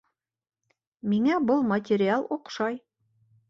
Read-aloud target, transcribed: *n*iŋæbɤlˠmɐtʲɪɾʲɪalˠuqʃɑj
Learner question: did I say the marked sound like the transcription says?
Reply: no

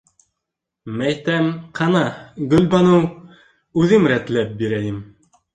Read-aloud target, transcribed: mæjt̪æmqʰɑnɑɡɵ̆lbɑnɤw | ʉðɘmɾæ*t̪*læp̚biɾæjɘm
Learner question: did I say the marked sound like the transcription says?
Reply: yes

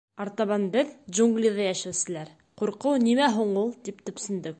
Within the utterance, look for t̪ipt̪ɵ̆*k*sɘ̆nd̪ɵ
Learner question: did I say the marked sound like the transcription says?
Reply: no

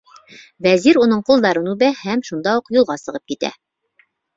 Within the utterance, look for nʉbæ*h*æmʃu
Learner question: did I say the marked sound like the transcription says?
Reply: yes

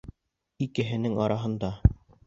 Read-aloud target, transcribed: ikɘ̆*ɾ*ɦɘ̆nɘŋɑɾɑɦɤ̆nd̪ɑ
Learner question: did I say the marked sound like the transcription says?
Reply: no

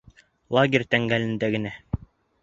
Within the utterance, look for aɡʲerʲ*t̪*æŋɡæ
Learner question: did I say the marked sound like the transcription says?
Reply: yes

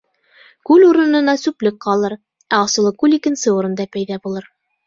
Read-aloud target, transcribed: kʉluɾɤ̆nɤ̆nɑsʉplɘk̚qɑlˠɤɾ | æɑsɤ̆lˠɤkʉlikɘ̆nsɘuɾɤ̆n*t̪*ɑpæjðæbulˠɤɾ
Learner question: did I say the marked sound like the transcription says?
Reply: no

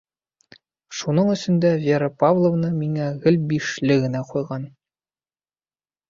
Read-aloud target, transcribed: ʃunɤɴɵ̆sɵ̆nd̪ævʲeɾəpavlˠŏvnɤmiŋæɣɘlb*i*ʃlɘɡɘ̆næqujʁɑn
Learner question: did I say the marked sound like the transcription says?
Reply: yes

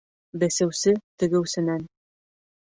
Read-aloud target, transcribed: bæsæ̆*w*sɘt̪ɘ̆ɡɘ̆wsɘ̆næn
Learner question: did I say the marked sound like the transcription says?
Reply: yes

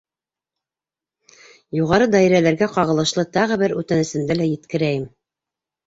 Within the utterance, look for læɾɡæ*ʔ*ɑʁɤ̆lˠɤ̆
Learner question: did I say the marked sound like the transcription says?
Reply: no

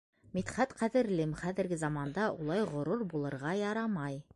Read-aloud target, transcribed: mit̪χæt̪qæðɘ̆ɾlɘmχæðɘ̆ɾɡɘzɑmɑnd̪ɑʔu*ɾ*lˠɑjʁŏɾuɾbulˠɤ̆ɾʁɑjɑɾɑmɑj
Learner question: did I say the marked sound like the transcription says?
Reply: no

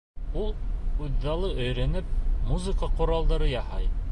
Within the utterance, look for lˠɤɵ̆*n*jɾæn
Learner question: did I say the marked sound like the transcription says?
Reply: no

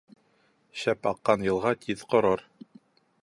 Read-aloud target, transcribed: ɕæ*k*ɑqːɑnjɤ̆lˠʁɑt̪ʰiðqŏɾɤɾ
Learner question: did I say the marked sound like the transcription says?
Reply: no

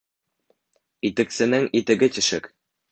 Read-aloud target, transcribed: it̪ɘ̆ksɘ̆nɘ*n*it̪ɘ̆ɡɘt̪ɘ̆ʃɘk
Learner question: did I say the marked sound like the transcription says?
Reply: no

